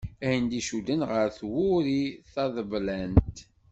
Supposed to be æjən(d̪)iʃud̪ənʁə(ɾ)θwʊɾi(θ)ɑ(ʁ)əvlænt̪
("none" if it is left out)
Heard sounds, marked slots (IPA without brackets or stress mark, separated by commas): d̪, ɾ, θ, ð